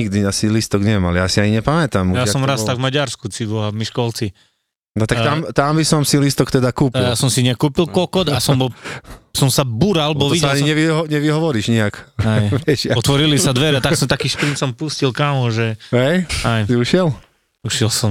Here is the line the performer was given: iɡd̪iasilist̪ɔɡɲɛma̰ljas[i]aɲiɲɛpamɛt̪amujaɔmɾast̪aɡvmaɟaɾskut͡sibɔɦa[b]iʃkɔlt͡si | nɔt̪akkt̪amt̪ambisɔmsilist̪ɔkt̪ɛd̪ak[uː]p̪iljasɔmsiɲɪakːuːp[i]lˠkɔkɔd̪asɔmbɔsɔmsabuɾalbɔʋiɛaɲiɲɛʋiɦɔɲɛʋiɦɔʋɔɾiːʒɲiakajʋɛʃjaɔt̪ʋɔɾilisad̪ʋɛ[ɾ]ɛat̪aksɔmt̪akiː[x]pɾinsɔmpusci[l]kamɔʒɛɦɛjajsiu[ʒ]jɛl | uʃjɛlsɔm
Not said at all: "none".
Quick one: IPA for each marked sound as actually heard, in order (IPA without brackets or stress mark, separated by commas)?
i, m, uː, i, ɾ, ʃ, l, ʃ